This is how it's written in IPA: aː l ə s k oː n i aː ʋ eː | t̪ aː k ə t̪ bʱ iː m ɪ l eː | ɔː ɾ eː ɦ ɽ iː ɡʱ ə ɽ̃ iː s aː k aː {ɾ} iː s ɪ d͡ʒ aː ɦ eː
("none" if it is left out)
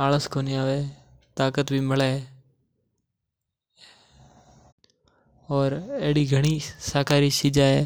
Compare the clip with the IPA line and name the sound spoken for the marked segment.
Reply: ɾ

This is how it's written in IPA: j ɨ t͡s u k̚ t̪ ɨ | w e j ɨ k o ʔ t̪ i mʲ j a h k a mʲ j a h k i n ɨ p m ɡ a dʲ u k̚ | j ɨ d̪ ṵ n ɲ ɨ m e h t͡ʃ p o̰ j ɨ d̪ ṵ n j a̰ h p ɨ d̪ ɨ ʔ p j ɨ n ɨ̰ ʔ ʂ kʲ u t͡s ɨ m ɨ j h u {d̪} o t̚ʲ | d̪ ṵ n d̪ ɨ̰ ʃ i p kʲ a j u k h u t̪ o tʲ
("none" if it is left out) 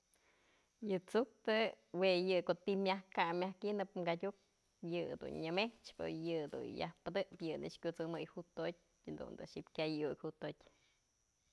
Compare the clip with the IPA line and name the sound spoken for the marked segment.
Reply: t̪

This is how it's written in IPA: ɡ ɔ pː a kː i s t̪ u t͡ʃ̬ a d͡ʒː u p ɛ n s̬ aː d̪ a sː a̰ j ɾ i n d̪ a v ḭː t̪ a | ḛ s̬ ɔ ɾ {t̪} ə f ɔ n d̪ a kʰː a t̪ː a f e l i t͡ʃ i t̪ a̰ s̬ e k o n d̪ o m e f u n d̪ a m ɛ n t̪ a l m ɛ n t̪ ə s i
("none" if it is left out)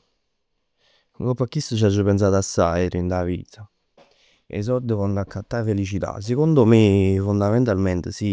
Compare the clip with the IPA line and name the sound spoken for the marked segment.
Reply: d̪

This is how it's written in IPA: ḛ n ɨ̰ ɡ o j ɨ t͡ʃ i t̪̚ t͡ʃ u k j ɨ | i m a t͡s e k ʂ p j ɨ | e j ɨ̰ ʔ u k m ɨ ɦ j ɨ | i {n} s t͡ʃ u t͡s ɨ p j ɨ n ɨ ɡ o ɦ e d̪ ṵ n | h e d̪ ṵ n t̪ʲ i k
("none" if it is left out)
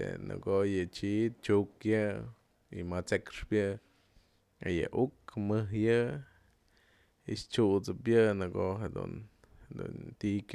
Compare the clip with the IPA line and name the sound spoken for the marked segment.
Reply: none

